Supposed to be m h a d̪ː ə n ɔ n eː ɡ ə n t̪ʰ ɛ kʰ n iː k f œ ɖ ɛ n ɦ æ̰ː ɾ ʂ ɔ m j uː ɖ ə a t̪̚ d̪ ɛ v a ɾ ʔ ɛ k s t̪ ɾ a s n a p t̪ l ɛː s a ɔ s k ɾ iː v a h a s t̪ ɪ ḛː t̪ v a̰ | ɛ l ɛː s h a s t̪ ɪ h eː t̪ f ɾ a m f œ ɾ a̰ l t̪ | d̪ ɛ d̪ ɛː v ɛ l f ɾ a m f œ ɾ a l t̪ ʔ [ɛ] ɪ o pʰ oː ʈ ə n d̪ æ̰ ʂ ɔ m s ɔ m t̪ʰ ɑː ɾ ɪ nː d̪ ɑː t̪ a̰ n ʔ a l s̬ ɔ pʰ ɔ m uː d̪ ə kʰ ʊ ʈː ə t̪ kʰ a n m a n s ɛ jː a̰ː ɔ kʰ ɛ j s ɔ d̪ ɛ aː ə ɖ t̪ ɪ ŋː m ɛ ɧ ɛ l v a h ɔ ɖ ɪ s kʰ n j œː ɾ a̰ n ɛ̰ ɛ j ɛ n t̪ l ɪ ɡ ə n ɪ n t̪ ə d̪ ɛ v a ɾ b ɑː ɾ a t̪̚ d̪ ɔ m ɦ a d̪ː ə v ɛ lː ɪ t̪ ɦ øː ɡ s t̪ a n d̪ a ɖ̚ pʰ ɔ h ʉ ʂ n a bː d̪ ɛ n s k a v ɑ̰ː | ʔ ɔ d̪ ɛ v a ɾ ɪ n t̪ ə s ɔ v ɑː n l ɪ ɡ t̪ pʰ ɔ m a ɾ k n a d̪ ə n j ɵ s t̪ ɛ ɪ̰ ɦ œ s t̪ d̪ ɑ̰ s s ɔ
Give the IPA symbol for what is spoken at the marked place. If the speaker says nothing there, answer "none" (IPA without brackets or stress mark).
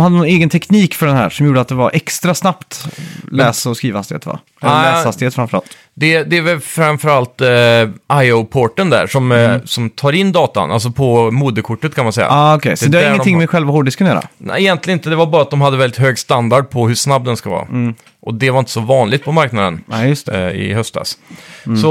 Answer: a